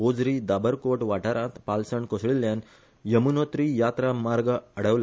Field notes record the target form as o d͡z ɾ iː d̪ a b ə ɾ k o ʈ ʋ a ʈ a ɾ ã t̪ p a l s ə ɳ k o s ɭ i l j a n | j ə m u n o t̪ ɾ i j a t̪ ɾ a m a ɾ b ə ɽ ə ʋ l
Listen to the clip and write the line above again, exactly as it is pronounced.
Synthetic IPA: o d͡z ɾ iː d̪ a b ə ɾ k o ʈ ʋ a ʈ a ɾ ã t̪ p a l s ə ɳ k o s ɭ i l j a n | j ə m u n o t̪ ɾ i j a t̪ ɾ a m a ɾ ɡ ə ɽ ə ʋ l